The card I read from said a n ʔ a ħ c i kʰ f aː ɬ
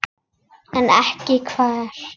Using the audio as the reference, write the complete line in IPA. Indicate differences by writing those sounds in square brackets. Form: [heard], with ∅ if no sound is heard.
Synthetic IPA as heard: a n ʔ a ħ [k] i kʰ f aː ɬ